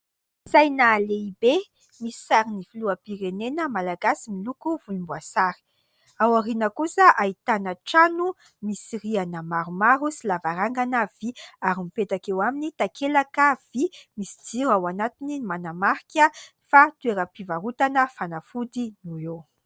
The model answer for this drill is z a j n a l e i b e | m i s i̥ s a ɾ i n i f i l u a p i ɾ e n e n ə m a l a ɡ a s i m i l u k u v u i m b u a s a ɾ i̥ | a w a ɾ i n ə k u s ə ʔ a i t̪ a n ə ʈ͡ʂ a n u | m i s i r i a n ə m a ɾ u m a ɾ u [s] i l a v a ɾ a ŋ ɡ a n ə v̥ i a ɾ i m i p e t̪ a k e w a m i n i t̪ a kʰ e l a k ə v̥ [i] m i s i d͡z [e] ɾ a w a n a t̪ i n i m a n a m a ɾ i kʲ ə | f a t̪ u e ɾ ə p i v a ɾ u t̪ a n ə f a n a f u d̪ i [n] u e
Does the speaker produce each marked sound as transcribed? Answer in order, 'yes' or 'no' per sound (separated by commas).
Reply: yes, yes, no, yes